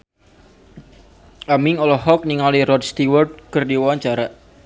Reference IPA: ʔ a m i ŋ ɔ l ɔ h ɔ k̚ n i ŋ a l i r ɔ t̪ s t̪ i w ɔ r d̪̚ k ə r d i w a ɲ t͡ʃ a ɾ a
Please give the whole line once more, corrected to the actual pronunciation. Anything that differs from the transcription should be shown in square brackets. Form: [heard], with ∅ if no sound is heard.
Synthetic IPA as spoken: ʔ a m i ŋ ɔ l ɔ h ɔ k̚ n i ŋ a l i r ɔ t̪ s t̪ i w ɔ r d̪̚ k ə r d i w a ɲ t͡ʃ a ɾ a